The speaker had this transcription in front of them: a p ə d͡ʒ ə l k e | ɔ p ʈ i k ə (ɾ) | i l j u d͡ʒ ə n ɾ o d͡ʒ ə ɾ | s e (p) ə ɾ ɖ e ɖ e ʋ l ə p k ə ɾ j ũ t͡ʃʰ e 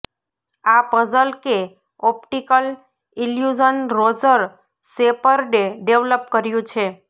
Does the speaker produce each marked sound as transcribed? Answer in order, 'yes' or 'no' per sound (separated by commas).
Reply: no, yes